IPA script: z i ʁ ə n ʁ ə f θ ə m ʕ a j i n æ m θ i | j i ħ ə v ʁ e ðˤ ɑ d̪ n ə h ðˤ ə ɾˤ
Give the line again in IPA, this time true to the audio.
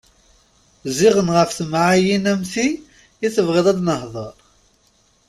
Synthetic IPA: z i ʁ ə n ʁ ə f θ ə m ʕ a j i n æ m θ i | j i θ ə v ʁ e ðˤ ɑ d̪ n ə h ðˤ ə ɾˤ